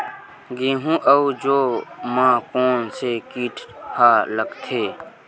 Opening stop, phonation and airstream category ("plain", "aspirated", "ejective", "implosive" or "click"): plain